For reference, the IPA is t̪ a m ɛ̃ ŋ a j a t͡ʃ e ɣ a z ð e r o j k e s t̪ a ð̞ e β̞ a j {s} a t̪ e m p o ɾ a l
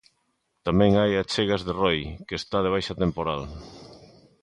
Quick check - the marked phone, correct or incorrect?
incorrect